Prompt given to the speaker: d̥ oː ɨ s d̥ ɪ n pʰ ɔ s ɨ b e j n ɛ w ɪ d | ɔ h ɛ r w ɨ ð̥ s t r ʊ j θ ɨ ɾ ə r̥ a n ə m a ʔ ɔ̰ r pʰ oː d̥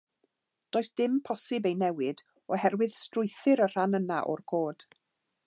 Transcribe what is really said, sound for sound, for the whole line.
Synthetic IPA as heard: d̥ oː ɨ s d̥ ɪ m pʰ ɔ s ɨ b e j n ɛ w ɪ d | ɔ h ɛ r w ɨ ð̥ s t r ʊ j θ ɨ ɾ ə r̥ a n ə n a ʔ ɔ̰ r kʰ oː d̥